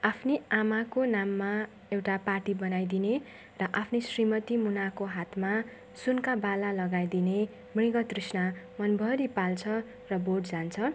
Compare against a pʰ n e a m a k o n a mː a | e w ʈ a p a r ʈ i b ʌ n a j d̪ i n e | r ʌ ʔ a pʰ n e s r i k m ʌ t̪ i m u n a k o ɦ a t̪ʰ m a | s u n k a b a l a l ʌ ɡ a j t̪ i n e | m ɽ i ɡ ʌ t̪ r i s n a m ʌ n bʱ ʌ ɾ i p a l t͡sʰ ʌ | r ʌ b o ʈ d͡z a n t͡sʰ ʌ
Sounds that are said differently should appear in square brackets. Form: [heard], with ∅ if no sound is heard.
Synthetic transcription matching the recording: a pʰ n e a m a k o n a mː a | e w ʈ a p a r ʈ i b ʌ n a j d̪ i n e | r ʌ ʔ a pʰ n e s r i [∅] m ʌ t̪ i m u n a k o ɦ a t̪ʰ m a | s u n k a b a l a l ʌ ɡ a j [d̪] i n e | m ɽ i ɡ ʌ t̪ r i s n a m ʌ n bʱ ʌ ɾ i p a l t͡sʰ ʌ | r ʌ b o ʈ d͡z a n t͡sʰ ʌ